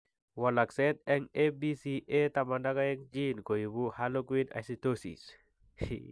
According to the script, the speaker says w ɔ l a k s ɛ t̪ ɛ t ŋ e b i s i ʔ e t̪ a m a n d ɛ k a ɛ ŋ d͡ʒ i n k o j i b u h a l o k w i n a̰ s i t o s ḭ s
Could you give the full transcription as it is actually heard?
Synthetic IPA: w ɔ l a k s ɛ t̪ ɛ ŋ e b i s i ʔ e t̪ a m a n d a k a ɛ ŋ d͡ʒ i n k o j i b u h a l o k w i n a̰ s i t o s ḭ s